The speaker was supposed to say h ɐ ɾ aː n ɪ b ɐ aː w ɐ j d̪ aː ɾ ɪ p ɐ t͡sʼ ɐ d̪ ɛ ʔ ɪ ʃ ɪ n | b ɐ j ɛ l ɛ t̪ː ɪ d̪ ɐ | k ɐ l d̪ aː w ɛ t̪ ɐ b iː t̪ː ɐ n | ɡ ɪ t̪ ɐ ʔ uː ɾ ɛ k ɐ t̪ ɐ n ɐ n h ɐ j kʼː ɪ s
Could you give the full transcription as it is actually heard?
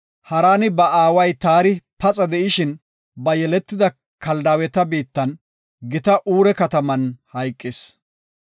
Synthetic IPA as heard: h ɐ ɾ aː n ɪ b ɐ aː w ɐ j t̪ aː ɾ ɪ p ɐ t͡sʼ ɐ d̪ ɛ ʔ ɪ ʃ ɪ n | b ɐ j ɛ l ɛ t̪ː ɪ d̪ ɐ | k ɐ l d̪ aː w ɛ t̪ ɐ b iː t̪ː ɐ n | ɡ ɪ t̪ ɐ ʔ uː ɾ ɛ k ɐ t̪ ɐ m ɐ n h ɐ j kʼː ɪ s